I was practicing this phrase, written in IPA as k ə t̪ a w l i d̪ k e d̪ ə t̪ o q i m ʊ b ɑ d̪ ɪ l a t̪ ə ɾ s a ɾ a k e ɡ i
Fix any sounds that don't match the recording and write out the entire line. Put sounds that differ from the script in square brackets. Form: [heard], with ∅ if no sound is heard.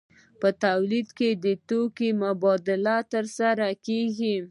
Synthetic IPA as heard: [p] ə t̪ a w l i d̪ k e d̪ ə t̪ o [k] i m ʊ b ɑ d̪ ɪ l a t̪ ə ɾ s a ɾ a k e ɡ i